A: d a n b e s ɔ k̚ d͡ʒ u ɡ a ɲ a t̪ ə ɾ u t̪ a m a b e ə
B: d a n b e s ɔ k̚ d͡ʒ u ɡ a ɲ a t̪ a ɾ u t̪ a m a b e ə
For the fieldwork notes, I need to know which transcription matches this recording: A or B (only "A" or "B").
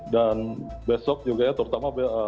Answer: A